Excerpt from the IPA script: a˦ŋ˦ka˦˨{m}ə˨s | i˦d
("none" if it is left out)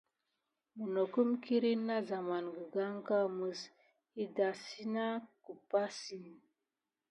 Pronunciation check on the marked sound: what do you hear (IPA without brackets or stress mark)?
m